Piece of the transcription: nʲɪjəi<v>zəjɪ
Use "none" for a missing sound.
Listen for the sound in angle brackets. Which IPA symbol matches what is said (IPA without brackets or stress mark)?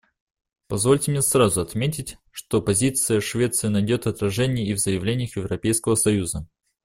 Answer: v